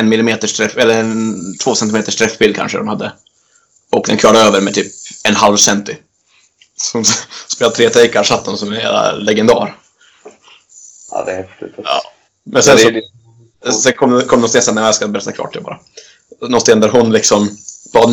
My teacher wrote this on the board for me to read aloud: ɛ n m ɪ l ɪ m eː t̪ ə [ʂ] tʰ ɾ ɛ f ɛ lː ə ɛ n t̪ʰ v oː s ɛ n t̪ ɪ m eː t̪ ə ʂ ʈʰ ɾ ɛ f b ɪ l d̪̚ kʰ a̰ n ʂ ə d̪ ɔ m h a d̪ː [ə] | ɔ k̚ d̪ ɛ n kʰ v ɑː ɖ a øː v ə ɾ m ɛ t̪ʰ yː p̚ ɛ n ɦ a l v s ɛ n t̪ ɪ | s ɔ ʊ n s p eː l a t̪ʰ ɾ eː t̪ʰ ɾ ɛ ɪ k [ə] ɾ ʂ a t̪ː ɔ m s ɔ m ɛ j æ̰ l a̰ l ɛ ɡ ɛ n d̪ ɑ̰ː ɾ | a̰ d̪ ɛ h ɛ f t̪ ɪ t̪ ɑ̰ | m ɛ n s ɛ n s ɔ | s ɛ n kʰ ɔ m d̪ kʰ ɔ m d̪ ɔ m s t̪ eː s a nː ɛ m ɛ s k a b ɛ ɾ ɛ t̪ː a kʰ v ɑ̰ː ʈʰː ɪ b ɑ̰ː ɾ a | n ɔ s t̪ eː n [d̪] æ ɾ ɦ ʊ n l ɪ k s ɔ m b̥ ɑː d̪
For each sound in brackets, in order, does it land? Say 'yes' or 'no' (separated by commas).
yes, yes, no, yes